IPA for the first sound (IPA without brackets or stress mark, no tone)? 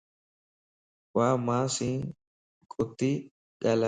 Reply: w